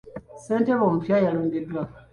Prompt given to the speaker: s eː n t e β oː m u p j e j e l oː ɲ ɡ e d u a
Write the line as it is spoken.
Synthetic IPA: s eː n t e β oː m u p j a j a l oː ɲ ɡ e d w a